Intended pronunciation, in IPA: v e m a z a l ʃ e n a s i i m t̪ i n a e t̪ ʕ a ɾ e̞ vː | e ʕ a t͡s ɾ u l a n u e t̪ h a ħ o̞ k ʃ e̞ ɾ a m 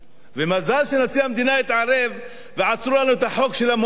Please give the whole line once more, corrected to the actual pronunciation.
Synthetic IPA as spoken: v e m a z a l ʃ e n a s i a m d̪ i n a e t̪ ʕ a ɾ e̞ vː | e ʕ a t͡s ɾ u l a n u e t̪ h a ħ o̞ k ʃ e̞ l a m